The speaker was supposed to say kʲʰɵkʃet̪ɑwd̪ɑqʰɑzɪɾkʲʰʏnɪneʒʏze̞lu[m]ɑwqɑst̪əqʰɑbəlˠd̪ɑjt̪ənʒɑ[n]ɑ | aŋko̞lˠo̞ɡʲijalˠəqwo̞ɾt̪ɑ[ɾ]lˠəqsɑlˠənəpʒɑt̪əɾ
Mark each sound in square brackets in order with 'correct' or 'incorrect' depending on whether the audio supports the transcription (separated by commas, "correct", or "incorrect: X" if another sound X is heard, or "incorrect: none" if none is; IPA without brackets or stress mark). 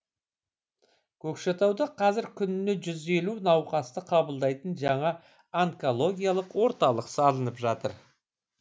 incorrect: n, incorrect: ɴ, incorrect: none